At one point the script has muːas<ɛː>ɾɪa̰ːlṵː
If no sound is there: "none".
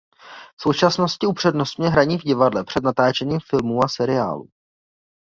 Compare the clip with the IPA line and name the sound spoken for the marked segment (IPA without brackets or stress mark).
ɛ